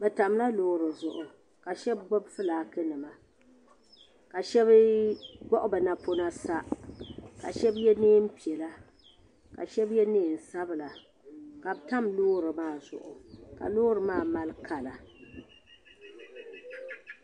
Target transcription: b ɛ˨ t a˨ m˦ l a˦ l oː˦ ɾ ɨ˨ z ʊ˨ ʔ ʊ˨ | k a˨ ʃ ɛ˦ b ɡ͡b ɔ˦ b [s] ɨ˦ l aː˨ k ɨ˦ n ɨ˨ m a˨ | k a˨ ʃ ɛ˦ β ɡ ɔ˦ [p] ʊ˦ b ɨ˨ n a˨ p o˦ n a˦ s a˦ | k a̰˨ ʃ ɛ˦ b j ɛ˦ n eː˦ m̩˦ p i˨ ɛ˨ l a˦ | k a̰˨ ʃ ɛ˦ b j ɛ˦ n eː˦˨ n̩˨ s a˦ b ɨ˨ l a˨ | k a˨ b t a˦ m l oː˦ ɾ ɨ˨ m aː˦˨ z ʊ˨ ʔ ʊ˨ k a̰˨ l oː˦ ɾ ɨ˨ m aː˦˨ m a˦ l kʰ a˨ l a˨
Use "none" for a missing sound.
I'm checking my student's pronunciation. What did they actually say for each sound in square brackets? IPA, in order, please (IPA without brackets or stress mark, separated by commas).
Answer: f, ʔ